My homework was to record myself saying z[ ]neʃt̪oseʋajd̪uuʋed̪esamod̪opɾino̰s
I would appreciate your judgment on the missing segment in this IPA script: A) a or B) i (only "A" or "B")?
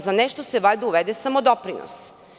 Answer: A